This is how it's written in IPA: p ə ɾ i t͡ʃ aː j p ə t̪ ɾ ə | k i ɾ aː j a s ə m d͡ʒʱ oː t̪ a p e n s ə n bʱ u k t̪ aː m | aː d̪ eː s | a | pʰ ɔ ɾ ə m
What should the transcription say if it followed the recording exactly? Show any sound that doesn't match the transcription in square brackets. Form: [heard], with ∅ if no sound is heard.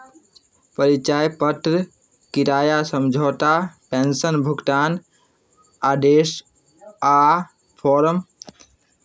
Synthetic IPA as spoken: p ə ɾ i t͡ʃ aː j p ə t̪ ɾ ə | k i ɾ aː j a s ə m d͡ʒʱ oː t̪ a p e n s ə n bʱ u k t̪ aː [n] | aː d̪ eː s | a | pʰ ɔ ɾ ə m